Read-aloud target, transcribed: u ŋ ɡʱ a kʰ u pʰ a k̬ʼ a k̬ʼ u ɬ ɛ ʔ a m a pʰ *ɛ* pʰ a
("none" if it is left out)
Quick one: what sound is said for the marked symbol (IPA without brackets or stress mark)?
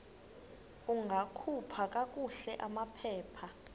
ɛː